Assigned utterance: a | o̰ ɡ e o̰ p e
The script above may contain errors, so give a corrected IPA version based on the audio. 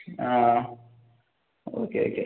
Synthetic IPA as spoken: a | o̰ k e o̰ k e

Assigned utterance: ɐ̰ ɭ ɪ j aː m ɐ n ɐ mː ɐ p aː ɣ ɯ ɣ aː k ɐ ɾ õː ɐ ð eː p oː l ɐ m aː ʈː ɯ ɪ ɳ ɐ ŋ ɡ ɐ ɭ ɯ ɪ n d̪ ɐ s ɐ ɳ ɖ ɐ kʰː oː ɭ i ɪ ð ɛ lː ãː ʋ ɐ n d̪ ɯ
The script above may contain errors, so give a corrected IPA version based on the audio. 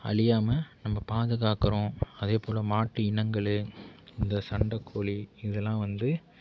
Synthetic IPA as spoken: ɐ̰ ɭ ɪ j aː m ɐ n ɐ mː ɐ p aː ð ɯ ɣ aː k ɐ ɾ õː ɐ ð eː p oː l ɐ m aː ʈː ɯ ɪ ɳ ɐ ŋ ɡ ɐ ɭ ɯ ɪ n d̪ ɐ s ɐ ɳ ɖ ɐ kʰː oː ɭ i ɪ ð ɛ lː ãː ʋ ɐ n d̪ ɯ

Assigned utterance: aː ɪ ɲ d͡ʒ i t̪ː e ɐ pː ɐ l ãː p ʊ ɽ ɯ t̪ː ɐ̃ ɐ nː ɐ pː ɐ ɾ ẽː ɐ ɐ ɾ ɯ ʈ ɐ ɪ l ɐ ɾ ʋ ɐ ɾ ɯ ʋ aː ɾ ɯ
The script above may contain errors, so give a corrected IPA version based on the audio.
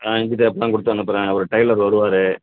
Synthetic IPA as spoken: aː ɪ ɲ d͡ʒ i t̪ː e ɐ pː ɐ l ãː k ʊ ɽ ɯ t̪ː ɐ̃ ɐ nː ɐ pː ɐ ɾ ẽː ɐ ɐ ɾ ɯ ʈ ɐ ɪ l ɐ ɾ ʋ ɐ ɾ ɯ ʋ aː ɾ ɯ

